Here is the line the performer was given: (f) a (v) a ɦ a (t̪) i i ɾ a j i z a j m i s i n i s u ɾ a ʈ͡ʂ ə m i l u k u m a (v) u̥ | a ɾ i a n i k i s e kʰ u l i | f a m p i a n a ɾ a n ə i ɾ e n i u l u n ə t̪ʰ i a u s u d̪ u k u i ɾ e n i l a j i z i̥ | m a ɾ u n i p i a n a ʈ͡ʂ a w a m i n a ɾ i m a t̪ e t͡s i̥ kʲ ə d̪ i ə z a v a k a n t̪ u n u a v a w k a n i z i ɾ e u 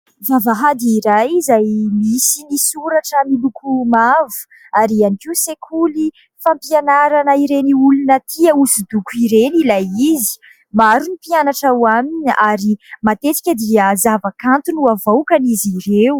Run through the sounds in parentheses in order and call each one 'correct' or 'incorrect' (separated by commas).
incorrect, correct, incorrect, correct